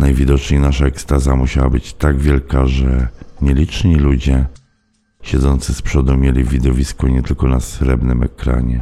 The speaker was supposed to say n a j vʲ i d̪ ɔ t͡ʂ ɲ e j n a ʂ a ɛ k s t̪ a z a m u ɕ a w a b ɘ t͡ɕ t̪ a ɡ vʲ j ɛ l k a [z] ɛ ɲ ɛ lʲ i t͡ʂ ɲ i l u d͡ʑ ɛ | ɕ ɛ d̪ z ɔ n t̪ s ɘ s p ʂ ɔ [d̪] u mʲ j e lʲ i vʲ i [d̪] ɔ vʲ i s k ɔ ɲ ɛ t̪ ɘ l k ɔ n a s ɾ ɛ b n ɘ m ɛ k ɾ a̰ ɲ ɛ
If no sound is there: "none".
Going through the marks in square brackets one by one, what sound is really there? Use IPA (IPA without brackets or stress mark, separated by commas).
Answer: ʐ, d̪, d̪